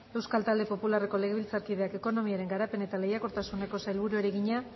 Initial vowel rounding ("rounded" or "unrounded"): unrounded